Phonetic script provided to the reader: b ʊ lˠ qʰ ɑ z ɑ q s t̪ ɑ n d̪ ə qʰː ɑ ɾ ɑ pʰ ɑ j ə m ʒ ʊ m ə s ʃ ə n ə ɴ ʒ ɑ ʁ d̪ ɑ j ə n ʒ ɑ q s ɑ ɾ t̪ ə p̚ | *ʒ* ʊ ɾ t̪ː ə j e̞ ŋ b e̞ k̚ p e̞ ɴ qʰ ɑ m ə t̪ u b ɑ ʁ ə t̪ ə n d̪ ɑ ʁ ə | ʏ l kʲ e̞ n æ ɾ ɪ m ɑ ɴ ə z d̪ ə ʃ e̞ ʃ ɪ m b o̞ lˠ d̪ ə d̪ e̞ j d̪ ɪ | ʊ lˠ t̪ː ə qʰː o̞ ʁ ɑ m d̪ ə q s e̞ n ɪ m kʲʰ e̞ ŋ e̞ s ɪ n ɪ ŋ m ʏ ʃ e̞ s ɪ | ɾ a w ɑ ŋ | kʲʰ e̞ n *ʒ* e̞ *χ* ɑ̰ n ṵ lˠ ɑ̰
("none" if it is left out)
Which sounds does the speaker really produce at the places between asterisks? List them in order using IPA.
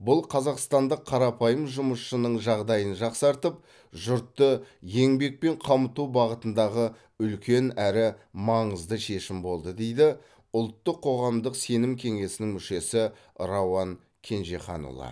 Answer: ʒ, ʒ, χ

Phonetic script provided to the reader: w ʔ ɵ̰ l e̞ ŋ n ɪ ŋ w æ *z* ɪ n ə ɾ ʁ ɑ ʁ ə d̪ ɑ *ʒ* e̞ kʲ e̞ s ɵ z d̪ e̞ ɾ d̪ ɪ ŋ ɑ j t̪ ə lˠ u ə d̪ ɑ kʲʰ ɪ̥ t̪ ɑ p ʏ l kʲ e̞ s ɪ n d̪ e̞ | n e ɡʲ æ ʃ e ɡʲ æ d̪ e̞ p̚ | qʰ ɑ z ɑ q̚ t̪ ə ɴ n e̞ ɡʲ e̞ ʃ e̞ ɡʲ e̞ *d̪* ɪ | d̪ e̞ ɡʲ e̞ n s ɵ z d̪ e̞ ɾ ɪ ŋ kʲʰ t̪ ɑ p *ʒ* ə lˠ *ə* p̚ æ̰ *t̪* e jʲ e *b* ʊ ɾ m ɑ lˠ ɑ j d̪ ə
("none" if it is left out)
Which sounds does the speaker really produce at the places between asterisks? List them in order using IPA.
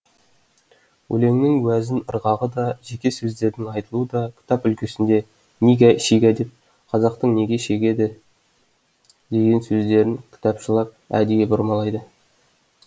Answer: z, ʒ, d̪, ʃ, ɑ, d̪, b

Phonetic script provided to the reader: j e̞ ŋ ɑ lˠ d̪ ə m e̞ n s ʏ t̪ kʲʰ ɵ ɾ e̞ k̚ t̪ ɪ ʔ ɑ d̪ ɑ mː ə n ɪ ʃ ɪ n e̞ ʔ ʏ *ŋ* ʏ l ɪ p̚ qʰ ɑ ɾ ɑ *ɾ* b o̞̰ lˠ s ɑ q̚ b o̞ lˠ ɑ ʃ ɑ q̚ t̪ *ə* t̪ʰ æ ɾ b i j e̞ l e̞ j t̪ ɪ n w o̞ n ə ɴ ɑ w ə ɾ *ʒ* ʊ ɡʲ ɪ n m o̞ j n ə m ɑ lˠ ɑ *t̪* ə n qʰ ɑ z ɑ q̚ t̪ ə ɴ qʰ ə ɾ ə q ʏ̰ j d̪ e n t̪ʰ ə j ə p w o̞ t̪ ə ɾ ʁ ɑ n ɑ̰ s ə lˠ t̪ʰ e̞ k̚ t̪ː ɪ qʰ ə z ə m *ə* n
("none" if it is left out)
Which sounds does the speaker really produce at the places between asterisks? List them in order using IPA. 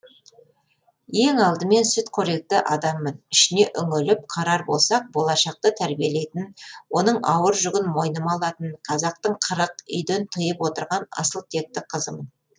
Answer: ŋ, ɾ, ə, ʒ, t̪, ə

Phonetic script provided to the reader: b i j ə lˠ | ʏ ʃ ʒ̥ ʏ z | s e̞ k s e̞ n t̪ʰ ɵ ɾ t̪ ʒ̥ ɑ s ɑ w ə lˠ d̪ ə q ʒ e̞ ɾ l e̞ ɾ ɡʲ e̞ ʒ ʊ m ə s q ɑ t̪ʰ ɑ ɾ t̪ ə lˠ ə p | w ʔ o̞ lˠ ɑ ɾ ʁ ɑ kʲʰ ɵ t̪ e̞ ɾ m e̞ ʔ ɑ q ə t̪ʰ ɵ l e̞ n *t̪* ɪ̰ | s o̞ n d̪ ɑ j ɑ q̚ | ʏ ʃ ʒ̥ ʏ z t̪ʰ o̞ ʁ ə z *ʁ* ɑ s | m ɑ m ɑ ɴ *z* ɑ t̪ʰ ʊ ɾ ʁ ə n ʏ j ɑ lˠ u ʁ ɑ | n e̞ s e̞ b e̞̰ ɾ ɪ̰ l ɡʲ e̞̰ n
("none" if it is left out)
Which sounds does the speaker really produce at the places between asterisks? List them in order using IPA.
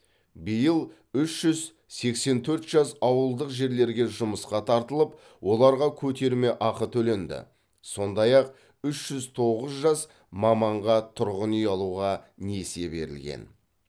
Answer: d̪, ʒ, ʁ

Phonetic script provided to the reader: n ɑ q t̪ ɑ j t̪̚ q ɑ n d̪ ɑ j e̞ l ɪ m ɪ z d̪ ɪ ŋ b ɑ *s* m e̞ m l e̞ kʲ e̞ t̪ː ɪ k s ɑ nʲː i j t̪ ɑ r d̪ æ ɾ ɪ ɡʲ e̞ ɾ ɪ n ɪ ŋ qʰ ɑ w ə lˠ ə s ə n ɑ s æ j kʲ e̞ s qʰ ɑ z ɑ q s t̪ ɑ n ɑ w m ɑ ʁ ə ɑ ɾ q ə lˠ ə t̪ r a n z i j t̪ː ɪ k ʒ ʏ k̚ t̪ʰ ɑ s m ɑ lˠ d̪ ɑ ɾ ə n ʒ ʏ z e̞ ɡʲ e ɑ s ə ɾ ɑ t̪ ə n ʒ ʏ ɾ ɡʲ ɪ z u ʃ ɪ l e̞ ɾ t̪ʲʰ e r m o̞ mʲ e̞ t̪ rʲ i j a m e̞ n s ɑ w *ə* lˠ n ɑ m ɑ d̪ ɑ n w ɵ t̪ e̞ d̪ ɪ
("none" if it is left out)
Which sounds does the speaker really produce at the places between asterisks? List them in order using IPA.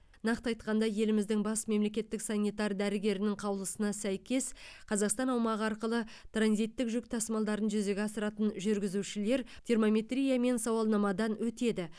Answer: s, ɑ

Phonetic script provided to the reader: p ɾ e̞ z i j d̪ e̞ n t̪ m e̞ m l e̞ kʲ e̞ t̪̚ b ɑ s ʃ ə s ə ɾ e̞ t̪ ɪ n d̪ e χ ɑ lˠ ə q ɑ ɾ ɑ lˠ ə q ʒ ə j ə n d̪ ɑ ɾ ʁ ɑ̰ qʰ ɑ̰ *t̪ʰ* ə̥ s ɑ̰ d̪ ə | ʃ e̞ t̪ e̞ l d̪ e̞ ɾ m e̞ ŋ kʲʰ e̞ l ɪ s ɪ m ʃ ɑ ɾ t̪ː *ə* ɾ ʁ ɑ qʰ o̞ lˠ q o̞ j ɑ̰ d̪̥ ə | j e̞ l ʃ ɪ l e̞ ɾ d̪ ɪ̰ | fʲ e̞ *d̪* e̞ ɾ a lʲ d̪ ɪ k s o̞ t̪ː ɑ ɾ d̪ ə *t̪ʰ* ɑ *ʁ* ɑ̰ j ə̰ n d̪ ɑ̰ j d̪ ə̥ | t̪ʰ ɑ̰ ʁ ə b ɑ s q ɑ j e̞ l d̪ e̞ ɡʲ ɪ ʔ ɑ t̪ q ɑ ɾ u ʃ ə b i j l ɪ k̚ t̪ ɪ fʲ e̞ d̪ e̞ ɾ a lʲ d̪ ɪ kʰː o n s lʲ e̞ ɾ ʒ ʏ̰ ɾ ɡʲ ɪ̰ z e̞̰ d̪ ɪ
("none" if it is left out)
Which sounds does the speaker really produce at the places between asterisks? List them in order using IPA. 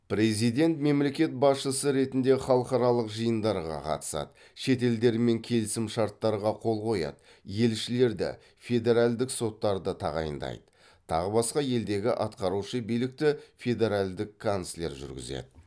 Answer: t̪, ɑ, d̪, t̪ʰ, ʁ

